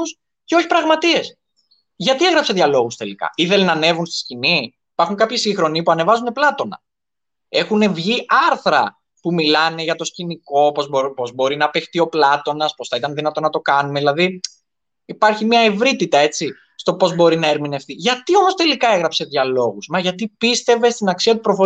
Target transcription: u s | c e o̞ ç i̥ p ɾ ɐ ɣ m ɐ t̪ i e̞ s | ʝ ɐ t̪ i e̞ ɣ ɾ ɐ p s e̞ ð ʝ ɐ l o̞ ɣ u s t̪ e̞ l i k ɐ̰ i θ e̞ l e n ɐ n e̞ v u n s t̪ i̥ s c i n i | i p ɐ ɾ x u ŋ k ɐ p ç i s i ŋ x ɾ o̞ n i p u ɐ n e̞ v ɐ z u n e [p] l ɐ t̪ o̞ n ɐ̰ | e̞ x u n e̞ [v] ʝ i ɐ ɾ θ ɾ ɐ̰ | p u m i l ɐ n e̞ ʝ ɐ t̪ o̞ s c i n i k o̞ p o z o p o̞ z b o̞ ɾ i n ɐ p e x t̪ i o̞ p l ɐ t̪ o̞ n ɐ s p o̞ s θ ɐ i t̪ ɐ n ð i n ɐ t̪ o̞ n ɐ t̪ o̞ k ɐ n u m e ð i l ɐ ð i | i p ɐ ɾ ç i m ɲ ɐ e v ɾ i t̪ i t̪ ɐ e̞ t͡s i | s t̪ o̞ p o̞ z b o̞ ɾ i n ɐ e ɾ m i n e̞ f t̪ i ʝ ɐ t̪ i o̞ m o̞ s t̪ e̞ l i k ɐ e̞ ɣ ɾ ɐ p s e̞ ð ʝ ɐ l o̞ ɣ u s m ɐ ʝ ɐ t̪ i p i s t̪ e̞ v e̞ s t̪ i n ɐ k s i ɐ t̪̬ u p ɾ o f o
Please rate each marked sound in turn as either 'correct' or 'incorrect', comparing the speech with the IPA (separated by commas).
correct, correct